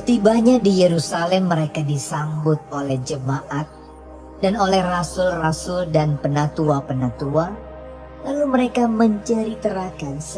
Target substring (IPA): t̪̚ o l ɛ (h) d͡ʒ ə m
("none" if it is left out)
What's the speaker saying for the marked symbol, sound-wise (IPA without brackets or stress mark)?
h